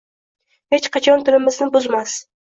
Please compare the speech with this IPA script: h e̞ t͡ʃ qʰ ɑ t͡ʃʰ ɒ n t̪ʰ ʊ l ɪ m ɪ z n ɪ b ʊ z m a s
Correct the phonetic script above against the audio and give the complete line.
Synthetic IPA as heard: h e̞ t͡ʃ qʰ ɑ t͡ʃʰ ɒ n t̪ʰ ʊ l ɪ m ɪ z n ɪ b ʊ z m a s